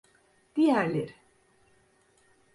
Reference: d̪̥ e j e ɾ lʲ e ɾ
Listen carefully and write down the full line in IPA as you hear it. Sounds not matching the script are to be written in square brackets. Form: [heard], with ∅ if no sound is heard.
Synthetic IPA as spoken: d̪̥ [i] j [æ] ɾ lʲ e ɾ